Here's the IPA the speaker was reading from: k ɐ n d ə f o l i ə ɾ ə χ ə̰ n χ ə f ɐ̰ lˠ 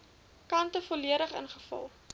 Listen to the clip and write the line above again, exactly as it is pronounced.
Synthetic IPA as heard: k ɐ n t ə f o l i ə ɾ ə χ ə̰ n χ ə f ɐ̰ lˠ